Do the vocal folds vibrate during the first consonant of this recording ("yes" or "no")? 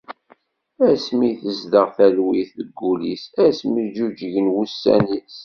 no